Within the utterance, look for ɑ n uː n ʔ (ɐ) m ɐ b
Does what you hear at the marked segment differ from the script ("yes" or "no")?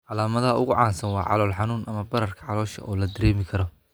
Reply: no